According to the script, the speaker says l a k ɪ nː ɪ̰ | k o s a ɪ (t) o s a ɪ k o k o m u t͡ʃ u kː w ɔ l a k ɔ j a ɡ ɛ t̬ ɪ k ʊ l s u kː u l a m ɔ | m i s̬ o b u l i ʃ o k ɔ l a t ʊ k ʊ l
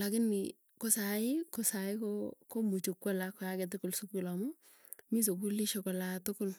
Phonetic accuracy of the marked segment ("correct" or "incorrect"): incorrect